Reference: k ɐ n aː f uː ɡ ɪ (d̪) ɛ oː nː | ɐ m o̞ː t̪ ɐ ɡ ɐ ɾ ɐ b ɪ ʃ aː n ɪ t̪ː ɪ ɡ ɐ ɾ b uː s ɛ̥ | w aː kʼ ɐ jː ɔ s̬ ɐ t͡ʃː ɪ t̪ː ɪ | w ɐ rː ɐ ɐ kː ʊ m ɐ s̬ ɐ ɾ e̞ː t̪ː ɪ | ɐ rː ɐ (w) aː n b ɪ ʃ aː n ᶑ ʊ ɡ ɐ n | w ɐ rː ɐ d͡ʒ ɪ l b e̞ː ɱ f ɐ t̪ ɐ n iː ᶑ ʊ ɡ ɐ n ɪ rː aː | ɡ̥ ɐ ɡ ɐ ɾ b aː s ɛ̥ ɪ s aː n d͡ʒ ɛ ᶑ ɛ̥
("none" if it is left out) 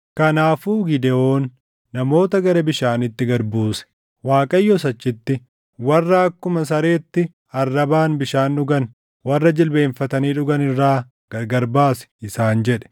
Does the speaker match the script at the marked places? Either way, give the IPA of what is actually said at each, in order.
d̪, b

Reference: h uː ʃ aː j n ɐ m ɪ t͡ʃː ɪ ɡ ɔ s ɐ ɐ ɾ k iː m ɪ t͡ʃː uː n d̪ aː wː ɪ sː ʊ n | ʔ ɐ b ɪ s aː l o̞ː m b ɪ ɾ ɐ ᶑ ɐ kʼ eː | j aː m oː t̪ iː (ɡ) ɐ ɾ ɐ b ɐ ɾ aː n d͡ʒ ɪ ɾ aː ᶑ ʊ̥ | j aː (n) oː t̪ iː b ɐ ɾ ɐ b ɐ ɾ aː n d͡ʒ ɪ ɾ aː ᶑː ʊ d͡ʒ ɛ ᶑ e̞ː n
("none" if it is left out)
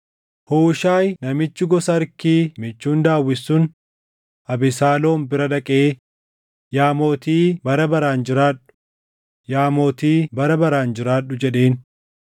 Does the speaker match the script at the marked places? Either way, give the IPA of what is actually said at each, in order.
b, m

